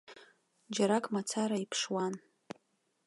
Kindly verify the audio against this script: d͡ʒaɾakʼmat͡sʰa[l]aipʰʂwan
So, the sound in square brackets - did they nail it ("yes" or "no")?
no